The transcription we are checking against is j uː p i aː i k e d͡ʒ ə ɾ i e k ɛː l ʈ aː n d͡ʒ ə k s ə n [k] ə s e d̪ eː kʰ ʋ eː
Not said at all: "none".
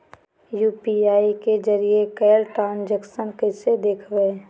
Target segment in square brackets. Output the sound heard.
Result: k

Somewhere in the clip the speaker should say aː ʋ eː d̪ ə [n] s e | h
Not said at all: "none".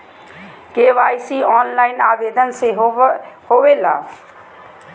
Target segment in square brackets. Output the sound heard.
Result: n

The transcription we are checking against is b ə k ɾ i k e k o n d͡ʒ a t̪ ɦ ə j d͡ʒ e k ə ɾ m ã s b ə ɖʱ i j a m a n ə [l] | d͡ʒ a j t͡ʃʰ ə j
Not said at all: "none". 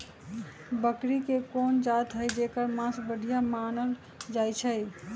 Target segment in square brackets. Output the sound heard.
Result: l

